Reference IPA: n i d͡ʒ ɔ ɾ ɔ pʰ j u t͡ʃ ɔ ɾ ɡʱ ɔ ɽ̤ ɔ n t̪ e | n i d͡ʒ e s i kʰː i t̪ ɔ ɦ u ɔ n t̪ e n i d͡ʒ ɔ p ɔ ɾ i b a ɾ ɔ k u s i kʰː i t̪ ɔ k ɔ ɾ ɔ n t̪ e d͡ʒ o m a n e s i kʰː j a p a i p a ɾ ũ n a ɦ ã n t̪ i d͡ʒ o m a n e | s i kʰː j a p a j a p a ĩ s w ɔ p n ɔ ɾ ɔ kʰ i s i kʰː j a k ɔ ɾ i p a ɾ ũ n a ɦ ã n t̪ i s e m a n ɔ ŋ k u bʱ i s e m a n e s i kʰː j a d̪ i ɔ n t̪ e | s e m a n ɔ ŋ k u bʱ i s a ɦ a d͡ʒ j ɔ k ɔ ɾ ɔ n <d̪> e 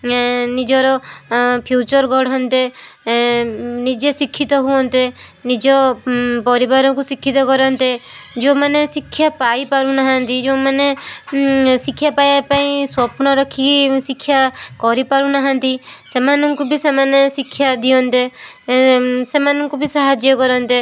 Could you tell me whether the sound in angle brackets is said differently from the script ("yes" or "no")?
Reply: yes